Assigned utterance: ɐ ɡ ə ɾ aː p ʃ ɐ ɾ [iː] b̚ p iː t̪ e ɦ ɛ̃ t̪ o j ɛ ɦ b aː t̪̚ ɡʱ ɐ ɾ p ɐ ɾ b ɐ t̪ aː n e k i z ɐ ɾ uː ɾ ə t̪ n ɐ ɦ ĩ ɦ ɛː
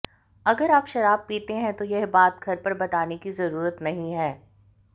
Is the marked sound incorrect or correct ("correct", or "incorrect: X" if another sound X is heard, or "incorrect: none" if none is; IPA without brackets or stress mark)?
incorrect: aː